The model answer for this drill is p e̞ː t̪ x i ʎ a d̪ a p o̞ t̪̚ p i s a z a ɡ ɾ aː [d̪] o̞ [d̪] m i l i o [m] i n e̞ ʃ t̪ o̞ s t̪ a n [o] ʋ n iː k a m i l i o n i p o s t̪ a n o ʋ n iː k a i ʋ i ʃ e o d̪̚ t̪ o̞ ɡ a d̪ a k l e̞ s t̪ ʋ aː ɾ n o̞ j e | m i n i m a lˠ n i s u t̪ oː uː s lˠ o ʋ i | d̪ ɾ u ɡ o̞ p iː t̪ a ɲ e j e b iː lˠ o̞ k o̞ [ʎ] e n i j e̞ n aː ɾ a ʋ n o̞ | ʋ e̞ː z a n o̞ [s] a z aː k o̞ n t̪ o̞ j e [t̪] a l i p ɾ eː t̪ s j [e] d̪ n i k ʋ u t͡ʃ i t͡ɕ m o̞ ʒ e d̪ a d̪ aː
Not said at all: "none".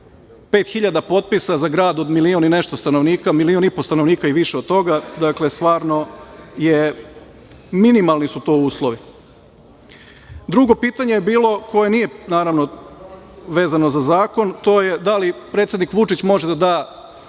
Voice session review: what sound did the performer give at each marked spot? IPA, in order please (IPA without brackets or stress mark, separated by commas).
d̪, d̪, n, o, j, z, d̪, e